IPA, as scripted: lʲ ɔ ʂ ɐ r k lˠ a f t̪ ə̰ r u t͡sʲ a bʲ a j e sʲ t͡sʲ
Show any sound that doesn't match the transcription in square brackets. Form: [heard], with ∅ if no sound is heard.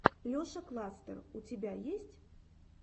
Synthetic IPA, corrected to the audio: lʲ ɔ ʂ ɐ [∅] k lˠ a [s] t̪ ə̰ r u t͡sʲ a bʲ a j e sʲ t͡sʲ